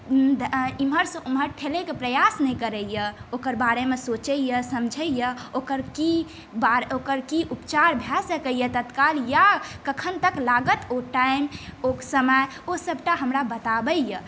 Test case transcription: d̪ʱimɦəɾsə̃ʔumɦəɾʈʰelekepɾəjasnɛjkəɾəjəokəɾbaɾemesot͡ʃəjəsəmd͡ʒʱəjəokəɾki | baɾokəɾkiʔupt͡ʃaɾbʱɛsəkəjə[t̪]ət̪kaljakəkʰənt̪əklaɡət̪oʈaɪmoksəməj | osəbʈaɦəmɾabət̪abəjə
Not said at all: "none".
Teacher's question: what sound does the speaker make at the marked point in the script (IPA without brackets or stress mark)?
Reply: t̪